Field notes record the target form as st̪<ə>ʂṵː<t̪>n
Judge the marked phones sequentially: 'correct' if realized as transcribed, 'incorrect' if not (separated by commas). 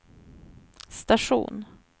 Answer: incorrect, incorrect